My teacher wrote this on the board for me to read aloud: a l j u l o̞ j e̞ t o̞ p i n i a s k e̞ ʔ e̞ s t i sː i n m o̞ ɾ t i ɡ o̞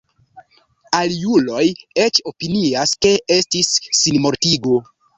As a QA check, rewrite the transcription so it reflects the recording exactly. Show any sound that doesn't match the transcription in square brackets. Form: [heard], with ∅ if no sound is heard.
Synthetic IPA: a l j u l o̞ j e̞ [t͡ʃ] o̞ p i n i a s k e̞ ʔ e̞ s t i sː i n m o̞ ɾ t i ɡ o̞